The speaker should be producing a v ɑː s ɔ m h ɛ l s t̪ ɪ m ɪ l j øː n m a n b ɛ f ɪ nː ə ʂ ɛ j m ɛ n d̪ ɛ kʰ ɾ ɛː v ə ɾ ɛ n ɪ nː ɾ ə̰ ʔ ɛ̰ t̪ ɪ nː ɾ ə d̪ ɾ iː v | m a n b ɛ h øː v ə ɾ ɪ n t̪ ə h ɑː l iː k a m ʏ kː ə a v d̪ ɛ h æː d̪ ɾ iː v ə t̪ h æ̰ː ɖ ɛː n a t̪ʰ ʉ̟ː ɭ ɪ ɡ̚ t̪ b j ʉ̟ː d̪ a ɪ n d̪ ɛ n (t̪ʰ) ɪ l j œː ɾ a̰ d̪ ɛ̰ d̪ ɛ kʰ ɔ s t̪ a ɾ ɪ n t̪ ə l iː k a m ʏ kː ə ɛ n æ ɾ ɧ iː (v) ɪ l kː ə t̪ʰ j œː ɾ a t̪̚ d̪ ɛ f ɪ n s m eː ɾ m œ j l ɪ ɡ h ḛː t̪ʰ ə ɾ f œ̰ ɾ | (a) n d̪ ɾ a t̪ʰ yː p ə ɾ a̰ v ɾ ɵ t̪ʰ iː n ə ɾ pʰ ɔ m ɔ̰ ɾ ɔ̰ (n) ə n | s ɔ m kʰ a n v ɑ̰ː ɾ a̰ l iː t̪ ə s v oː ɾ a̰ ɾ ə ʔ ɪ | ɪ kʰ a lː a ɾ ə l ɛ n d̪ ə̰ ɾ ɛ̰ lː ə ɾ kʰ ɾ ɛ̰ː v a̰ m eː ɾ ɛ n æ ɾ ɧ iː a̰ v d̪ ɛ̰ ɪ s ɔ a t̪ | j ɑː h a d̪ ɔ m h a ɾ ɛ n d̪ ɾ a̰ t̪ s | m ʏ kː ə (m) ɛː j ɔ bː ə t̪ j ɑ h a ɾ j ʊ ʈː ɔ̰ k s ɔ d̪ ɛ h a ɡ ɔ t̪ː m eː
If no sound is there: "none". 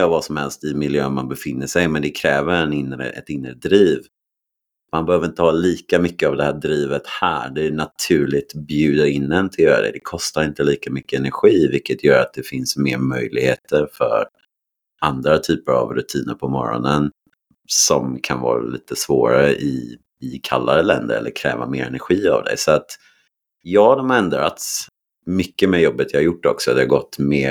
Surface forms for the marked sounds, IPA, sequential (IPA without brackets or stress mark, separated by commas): t̪ʰ, v, a, n, m